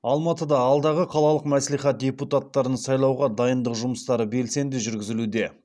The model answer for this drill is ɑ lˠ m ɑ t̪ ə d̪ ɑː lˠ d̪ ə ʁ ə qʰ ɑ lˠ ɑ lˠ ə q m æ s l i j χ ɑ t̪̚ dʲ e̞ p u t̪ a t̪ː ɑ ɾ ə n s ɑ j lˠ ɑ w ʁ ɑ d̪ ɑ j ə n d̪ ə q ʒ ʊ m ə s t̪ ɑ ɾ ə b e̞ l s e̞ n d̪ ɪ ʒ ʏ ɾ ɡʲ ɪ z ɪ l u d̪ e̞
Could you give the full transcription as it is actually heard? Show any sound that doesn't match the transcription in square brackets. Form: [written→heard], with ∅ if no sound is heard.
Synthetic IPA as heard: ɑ lˠ m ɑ t̪ ə d̪ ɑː lˠ d̪ [ə→ɑ] ʁ ə qʰ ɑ lˠ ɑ lˠ ə q m æ s l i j χ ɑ t̪̚ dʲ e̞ p u t̪ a t̪ː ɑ ɾ ə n s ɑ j lˠ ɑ w ʁ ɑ d̪ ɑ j ə n d̪ ə q ʒ ʊ m ə s t̪ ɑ ɾ ə b e̞ l s e̞ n d̪ ɪ ʒ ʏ ɾ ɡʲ ɪ z ɪ l u d̪ e̞